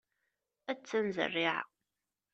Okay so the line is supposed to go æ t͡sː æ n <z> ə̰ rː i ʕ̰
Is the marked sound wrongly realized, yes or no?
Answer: no